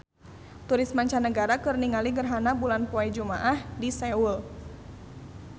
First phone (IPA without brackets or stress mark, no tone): t̪